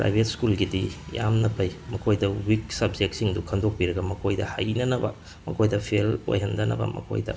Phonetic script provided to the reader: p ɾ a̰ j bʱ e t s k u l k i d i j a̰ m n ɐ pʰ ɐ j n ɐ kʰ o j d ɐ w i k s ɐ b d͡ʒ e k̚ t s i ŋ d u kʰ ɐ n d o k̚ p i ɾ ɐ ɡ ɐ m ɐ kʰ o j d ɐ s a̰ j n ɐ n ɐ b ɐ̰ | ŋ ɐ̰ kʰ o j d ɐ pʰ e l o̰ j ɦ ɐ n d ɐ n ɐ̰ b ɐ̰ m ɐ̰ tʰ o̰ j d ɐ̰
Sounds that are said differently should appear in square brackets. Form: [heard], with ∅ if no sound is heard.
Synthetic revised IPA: p ɾ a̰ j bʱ e t s k u l [ɡ] i d i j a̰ m n ɐ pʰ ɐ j [m] ɐ kʰ o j d ɐ w i k s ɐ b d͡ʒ e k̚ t s i ŋ d u kʰ ɐ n d o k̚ p i ɾ ɐ ɡ ɐ m ɐ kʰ o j d ɐ [h] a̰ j n ɐ n ɐ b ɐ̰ | [m] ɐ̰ kʰ o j d ɐ pʰ e l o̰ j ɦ ɐ n d ɐ n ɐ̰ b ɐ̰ m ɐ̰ [kʰ] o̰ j d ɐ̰